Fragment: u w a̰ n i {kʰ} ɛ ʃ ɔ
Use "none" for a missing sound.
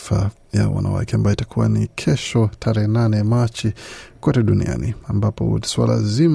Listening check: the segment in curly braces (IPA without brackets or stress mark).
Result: kʰ